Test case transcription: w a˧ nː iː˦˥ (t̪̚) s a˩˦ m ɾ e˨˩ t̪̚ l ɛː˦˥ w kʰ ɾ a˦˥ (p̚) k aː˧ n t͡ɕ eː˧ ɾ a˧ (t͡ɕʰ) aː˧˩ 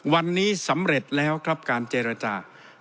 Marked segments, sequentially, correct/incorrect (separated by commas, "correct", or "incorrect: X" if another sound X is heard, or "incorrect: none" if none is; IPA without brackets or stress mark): incorrect: none, correct, incorrect: t͡ɕ